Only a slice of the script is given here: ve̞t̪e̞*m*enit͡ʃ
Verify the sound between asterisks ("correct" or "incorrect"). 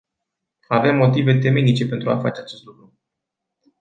correct